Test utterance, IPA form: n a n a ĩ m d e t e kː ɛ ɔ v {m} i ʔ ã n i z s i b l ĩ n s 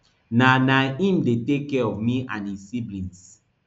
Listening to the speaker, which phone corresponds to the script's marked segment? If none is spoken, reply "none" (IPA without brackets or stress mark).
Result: m